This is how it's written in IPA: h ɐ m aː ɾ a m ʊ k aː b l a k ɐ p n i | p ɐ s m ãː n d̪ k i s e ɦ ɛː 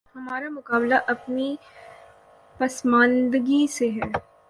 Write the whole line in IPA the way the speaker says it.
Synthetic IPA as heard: h ɐ m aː ɾ a m ʊ k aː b l a ʔ ɐ p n i | p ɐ s m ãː n d̪ ɡ i s e ɦ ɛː

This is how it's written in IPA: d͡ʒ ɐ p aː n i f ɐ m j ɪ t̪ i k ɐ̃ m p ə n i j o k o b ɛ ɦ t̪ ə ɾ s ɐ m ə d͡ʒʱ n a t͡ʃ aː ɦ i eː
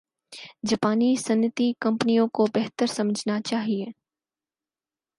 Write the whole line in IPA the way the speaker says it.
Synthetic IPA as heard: d͡ʒ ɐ p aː n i s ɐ n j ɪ t̪ i k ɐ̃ m p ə n i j õ k o b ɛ ɦ t̪ ə ɾ s ɐ m ə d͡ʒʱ n a t͡ʃ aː ɦ i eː

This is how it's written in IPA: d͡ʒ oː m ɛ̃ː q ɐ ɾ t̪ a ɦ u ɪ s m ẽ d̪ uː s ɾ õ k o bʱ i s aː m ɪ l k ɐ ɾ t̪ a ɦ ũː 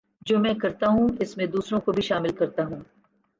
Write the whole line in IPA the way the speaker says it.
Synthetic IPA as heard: d͡ʒ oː m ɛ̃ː k ɐ ɾ t̪ a ɦ ũ ɪ s m ẽ d̪ uː s ɾ õ k o bʱ i ʃ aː m ɪ l k ɐ ɾ t̪ a ɦ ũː

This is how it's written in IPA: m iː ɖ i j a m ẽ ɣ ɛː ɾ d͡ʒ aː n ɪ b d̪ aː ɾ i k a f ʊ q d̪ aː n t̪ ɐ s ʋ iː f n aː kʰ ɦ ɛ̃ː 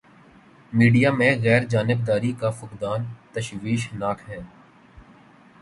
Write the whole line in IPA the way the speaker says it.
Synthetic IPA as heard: m iː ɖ i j a m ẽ ɣ ɛː ɾ d͡ʒ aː n ɪ b d̪ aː ɾ i k a f ʊ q d̪ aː n t̪ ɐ ʃ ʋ iː ʃ n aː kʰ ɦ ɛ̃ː

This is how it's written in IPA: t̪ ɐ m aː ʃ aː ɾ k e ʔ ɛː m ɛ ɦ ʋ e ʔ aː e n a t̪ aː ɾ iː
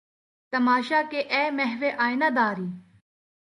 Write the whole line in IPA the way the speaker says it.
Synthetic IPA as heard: t̪ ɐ m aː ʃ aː k e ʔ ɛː m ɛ ɦ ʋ e ʔ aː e n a d̪ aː ɾ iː

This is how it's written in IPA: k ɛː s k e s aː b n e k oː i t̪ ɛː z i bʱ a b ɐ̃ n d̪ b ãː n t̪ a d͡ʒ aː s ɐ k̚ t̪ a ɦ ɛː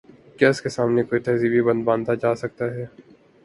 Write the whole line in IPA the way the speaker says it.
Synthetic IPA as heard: k ɛː s k e s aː m n e k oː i t̪ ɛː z i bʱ i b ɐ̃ n d̪ b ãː n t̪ a d͡ʒ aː s ɐ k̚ t̪ a ɦ ɛː

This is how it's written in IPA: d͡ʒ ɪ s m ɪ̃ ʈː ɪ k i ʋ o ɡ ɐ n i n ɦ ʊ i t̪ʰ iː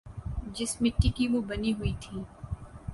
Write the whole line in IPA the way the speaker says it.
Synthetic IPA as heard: d͡ʒ ɪ s m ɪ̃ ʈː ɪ k i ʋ o b ɐ n i ɦ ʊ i t̪ʰ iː

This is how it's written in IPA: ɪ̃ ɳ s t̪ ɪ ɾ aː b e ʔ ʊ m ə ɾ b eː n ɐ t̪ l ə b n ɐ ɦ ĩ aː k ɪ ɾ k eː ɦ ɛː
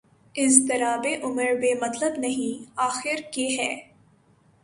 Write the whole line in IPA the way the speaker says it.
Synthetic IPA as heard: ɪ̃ n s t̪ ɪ ɾ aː b e ʔ ʊ m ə ɾ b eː m ɐ t̪ l ə b n ɐ ɦ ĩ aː x ɪ ɾ k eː ɦ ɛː

